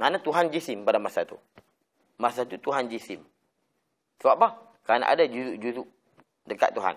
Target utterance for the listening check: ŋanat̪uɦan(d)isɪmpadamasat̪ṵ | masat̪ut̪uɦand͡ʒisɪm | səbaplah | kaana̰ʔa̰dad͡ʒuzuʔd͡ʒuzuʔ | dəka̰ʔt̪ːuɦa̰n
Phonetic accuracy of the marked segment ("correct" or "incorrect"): incorrect